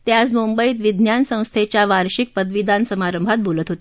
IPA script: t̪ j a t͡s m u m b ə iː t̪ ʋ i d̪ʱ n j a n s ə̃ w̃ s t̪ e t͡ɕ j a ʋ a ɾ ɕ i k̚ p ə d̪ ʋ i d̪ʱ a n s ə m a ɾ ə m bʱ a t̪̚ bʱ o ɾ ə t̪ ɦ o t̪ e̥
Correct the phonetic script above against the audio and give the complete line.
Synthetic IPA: t̪ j a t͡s m u m b ə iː t̪ ʋ i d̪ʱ n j a n s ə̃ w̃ s t̪ʰ e t͡ɕ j a ʋ a ɾ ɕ i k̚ p ə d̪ ʋ i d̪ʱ a n s ə m a ɾ ə m bʱ a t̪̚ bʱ o l ə t̪ ɦ o t̪ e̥